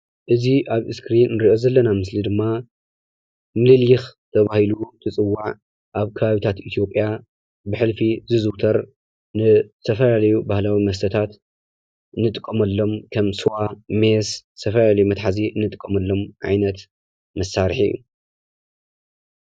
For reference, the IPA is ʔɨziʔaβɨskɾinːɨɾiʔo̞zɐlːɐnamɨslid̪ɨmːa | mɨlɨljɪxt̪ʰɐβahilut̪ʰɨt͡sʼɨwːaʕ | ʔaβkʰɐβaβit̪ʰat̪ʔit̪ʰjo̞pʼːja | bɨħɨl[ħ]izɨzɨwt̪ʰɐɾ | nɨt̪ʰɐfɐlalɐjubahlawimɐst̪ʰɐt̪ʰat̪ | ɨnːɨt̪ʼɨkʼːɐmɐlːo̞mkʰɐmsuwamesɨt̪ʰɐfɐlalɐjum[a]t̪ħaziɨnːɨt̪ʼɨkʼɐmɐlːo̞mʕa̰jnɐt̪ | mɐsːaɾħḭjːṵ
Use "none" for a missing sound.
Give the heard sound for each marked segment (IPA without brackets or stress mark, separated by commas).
f, ɐ